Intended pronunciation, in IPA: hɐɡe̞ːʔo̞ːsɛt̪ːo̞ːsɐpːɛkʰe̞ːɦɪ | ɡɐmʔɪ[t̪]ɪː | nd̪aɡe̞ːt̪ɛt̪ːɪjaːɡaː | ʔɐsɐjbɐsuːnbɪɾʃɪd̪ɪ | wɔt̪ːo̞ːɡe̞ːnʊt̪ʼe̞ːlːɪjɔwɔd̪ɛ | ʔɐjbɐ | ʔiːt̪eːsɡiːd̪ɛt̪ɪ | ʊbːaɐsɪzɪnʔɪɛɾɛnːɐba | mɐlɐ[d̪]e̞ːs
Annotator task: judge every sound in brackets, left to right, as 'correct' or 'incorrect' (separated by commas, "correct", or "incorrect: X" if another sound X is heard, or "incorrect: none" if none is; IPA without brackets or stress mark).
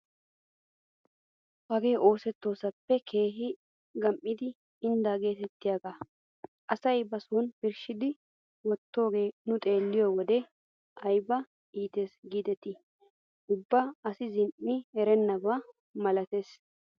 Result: incorrect: d̪, incorrect: t̪